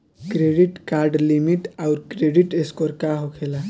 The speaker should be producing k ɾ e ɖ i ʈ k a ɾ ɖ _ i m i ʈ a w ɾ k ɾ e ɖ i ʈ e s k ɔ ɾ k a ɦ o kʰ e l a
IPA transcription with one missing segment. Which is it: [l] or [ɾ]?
l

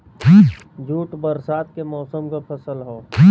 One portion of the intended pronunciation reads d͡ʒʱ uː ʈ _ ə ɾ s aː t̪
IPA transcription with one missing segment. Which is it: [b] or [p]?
b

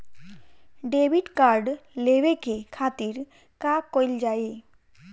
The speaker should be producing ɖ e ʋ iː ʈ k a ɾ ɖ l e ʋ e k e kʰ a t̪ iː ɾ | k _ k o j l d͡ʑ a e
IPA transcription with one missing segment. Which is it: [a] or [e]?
a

